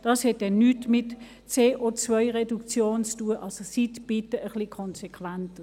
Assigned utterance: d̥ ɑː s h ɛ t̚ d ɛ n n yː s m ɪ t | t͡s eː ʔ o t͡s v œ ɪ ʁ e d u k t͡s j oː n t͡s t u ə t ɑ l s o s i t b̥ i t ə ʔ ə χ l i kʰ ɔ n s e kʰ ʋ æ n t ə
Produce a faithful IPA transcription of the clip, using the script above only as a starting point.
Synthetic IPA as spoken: d̥ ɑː s h ɛ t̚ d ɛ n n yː t m ɪ t | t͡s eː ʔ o t͡s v œ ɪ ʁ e d u k t͡s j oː n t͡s t u ə ʔ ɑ l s o s i t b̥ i t ə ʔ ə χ l i kʰ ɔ n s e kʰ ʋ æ n t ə